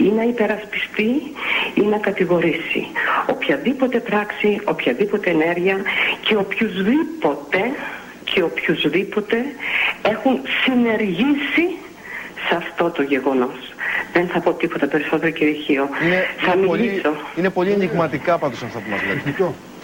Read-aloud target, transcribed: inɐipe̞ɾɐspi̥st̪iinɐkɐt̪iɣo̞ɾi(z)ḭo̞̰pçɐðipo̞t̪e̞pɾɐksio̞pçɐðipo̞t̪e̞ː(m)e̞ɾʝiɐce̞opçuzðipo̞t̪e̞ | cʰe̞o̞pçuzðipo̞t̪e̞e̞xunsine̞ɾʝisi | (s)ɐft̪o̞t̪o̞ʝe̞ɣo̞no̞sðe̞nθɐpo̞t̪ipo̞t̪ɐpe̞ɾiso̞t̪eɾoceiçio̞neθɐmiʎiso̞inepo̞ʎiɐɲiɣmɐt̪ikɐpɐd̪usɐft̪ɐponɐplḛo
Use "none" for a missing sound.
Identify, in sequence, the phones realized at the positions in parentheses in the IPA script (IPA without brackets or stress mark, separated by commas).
s, n, s